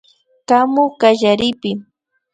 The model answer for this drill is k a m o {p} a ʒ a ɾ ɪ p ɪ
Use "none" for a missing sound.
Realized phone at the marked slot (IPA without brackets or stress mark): k